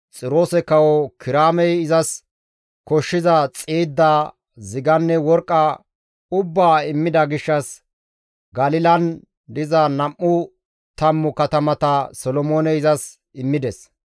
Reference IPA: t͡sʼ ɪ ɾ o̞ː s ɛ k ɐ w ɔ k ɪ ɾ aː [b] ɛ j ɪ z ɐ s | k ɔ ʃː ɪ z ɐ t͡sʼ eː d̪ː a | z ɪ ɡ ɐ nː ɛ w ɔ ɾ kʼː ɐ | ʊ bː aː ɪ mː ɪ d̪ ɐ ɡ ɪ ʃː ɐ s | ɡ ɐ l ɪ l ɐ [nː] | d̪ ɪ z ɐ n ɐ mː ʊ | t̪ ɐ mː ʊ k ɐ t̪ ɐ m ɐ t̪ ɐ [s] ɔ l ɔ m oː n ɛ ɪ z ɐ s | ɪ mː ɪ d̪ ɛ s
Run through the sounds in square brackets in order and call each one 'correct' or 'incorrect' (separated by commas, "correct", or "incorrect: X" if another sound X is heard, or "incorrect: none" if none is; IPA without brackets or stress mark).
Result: incorrect: m, incorrect: n, correct